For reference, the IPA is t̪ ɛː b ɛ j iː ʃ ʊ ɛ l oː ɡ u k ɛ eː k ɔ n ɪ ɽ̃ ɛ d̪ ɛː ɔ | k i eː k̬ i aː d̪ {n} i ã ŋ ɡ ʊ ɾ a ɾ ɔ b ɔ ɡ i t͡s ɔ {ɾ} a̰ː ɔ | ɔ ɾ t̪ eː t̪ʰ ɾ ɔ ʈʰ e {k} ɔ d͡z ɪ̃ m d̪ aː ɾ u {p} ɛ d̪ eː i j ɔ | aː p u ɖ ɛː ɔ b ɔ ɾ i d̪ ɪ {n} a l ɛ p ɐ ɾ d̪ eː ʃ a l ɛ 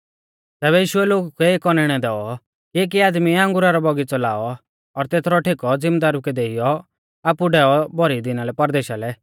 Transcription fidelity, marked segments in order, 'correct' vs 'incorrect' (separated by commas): incorrect, incorrect, correct, incorrect, correct